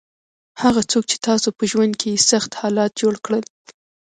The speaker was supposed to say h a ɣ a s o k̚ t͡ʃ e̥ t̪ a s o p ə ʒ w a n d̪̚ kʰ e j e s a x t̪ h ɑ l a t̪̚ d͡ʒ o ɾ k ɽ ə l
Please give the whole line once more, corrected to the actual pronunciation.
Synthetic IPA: h a ɣ a t͡s o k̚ t͡ʃ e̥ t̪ ɑ s o p ə ʒ w a n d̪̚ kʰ e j e s a x t̪ h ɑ l ɑ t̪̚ d͡ʒ o ɽ k ɽ ə l